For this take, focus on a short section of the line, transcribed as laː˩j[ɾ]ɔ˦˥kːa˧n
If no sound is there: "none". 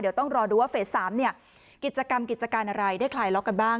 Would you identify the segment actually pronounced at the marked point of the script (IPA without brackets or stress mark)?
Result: l